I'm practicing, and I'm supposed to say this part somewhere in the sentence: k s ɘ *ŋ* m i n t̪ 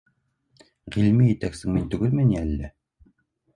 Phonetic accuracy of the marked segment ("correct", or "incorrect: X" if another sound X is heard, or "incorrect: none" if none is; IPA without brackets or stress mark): correct